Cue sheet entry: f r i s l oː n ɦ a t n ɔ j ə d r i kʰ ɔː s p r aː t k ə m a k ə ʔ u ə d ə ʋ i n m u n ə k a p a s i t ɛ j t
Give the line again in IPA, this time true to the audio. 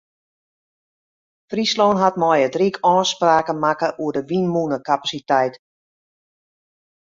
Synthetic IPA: f r i s l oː n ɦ a t m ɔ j ə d r i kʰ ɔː s p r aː k ə m a k ə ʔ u ə d ə ʋ i n m u n ə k a p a s i t ɛ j t